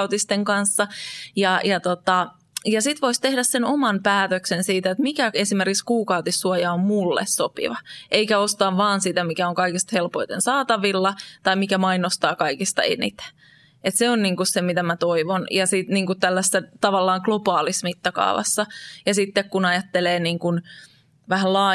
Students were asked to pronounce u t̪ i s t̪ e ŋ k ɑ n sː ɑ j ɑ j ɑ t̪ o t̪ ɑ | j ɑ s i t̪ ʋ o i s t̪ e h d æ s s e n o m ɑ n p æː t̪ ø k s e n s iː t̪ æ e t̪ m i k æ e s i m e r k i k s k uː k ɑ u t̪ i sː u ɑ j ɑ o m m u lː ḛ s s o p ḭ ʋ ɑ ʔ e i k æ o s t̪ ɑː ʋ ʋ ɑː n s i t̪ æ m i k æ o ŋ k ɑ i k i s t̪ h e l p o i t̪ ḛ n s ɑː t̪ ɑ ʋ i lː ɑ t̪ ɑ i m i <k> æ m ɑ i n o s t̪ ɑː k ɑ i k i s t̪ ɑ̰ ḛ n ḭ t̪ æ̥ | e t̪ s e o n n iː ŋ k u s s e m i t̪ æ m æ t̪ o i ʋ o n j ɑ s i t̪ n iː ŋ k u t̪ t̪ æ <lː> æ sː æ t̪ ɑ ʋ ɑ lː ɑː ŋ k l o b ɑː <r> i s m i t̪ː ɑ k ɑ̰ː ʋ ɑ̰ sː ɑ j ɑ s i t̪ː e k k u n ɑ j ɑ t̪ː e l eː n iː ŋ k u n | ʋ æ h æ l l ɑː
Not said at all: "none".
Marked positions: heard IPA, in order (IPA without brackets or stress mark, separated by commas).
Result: k, lː, l